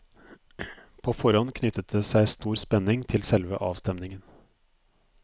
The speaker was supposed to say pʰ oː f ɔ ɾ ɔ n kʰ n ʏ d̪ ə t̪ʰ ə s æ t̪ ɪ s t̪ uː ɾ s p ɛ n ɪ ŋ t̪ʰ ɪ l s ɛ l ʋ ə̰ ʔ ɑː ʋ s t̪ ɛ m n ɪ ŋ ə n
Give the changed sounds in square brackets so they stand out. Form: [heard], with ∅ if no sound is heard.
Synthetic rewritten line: pʰ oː f ɔ ɾ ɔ n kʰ n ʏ [t̪] ə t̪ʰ ə s æ [∅] ɪ s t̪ uː ɾ s p ɛ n ɪ ŋ t̪ʰ ɪ l s ɛ l ʋ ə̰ ʔ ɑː ʋ s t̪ ɛ m n ɪ ŋ ə n